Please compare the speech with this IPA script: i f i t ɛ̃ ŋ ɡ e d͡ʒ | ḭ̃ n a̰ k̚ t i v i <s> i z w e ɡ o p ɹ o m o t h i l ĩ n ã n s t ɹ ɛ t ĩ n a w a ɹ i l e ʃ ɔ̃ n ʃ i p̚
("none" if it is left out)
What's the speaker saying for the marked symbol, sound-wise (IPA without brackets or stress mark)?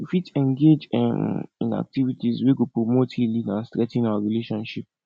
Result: t